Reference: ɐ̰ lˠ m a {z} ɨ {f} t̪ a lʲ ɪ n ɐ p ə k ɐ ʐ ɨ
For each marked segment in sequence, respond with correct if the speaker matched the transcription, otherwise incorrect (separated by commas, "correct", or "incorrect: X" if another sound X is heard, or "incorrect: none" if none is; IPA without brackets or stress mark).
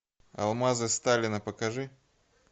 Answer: correct, incorrect: s